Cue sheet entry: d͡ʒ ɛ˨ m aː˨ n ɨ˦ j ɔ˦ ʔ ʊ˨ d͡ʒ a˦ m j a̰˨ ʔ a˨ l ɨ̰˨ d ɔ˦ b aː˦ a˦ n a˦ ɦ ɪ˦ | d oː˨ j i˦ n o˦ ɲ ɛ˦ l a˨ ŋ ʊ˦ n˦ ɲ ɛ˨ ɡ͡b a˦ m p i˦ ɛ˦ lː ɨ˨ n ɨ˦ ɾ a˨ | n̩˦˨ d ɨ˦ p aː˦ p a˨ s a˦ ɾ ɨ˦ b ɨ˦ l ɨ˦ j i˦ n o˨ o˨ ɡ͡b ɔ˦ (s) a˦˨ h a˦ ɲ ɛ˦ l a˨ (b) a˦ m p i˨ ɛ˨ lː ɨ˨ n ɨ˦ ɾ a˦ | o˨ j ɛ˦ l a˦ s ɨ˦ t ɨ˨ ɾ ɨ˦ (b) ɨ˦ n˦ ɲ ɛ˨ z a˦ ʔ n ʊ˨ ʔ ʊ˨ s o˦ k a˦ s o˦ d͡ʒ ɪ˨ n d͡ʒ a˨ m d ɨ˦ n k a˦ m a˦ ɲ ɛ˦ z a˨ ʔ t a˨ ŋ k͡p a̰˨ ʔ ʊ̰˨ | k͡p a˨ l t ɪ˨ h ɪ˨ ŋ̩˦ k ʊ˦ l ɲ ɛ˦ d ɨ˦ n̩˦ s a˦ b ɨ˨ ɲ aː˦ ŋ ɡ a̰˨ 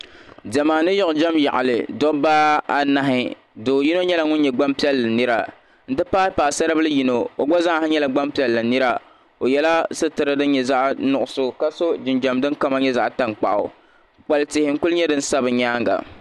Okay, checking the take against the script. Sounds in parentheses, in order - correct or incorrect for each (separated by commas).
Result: incorrect, incorrect, incorrect